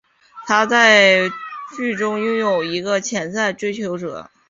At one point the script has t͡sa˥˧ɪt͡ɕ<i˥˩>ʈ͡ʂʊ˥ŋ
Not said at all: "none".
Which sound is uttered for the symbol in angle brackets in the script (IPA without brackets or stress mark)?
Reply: y˥˩